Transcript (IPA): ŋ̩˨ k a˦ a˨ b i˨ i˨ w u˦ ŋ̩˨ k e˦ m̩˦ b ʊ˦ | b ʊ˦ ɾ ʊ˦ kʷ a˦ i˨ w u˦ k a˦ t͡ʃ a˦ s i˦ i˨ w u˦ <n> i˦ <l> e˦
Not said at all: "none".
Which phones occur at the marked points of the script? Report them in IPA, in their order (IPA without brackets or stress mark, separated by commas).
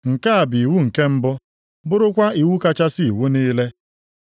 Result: n, l